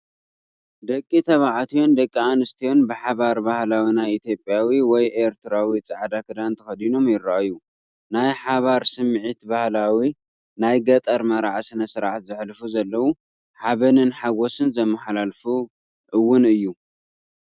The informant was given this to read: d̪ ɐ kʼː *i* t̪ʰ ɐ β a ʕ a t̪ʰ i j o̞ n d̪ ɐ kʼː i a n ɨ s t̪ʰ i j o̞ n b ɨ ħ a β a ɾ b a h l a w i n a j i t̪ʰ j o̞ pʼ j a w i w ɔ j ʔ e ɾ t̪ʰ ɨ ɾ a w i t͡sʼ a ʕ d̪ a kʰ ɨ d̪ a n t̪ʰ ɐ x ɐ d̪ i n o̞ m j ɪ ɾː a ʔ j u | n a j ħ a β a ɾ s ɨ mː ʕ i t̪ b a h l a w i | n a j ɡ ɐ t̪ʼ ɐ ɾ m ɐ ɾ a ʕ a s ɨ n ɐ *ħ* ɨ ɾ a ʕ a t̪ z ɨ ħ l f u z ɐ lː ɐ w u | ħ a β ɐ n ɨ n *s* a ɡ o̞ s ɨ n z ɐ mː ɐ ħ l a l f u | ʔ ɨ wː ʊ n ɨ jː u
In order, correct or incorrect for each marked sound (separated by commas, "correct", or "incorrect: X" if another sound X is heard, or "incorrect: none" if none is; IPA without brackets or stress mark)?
correct, incorrect: s, incorrect: ħ